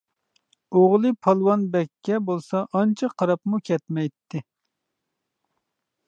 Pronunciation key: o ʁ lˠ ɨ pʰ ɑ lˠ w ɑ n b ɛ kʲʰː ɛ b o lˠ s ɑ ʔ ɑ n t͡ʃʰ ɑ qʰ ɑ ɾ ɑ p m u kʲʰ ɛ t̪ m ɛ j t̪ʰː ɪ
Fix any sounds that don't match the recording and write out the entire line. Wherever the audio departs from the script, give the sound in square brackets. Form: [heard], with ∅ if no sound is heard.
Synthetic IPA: o ʁ lˠ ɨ pʰ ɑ lˠ w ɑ n b ɛ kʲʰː ɛ b o lˠ s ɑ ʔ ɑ n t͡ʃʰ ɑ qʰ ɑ ɾ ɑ p m u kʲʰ ɛ t̪ m ɛ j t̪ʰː ɪ